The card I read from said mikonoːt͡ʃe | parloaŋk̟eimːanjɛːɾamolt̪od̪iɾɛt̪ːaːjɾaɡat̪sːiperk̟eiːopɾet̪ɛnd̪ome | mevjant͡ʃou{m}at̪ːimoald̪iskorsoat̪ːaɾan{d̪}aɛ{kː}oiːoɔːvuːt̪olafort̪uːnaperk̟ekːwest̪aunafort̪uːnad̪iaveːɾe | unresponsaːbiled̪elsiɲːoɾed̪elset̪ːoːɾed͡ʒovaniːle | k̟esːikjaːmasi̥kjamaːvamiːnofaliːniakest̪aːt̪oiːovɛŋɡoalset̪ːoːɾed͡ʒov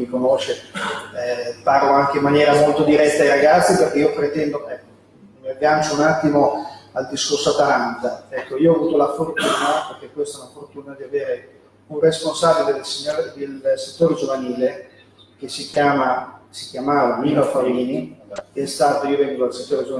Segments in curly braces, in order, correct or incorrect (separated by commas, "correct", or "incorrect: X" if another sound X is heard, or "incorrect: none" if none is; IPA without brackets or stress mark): incorrect: n, incorrect: t̪, correct